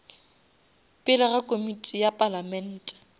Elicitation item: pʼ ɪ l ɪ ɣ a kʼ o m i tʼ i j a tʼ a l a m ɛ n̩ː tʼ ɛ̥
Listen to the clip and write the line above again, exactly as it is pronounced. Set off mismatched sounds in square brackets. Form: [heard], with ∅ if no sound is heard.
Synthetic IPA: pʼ ɪ l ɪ ɣ a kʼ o m i tʼ i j a [pʼ] a l a m ɛ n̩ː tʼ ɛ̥